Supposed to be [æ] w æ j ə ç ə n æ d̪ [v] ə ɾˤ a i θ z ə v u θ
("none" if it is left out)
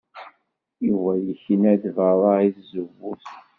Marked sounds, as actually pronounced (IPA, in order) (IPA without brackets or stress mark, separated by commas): i, v